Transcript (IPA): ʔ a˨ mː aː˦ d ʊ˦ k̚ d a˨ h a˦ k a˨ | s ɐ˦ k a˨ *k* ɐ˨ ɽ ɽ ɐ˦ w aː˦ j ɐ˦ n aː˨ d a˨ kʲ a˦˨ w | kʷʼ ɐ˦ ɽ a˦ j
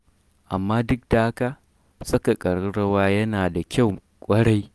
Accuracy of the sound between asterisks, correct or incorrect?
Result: incorrect